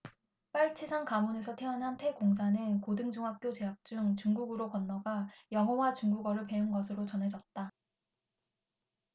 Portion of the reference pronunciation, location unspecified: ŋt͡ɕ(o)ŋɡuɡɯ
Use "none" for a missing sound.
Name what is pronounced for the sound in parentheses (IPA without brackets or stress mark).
u